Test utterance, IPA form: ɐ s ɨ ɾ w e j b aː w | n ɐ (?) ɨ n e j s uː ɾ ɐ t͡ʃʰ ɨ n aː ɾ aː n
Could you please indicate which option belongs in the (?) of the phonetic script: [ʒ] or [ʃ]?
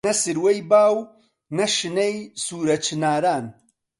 ʃ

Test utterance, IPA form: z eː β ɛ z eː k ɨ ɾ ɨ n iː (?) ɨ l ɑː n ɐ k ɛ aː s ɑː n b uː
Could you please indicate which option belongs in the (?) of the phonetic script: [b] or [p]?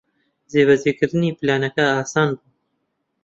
p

